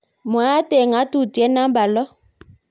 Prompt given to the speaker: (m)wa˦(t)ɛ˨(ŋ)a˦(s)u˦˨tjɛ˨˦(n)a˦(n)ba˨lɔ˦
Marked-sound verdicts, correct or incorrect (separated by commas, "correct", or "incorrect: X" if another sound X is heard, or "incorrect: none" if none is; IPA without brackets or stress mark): correct, correct, correct, incorrect: t, correct, incorrect: m